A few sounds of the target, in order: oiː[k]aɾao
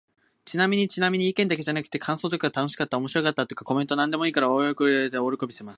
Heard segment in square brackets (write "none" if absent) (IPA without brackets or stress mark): k